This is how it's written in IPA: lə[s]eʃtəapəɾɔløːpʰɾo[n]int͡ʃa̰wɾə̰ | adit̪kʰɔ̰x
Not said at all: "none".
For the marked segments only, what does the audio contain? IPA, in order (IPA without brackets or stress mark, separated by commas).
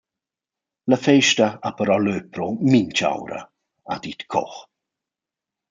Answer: f, m